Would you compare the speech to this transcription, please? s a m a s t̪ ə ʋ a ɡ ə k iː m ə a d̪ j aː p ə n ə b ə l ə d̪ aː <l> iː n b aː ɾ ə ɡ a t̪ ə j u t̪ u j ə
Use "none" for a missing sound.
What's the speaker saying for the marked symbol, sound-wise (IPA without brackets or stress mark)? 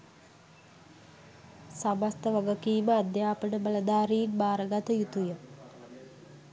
ɾ